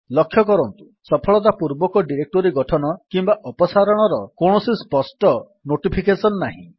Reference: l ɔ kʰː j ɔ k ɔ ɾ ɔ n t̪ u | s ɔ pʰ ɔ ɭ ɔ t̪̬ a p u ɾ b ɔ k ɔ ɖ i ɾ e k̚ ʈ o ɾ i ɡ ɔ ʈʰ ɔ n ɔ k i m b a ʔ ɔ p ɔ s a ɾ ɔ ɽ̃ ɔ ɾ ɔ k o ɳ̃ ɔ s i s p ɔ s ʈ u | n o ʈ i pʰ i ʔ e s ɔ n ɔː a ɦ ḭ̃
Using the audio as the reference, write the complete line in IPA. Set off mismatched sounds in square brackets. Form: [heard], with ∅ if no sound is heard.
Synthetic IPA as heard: l ɔ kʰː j ɔ k ɔ ɾ ɔ n t̪ u | s ɔ pʰ ɔ ɭ ɔ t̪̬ a p u ɾ b ɔ k ɔ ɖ i ɾ e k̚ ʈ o ɾ i ɡ ɔ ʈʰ ɔ n ɔ k i m b a ʔ ɔ p ɔ s a ɾ ɔ ɽ̃ ɔ ɾ ɔ k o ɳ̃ ɔ s i s p ɔ s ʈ [ɔ] | n o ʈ i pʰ i [k] e s ɔ n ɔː a ɦ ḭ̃